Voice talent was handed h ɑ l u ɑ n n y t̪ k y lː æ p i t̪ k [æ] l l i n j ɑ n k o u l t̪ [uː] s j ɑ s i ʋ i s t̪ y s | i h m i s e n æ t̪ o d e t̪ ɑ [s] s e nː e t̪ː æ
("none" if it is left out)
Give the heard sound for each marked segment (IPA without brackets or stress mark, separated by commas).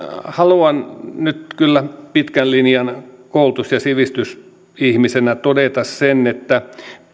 æ, u, s